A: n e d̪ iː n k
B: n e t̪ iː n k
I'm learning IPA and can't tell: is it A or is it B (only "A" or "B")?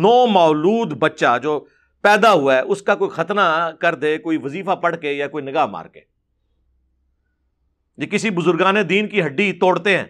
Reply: A